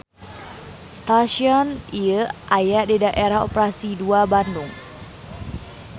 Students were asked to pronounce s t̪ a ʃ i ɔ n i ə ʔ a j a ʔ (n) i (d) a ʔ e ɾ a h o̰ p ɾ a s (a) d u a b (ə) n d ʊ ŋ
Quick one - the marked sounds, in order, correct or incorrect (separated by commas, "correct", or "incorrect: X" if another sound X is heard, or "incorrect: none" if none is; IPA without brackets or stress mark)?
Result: incorrect: d, correct, incorrect: i, incorrect: a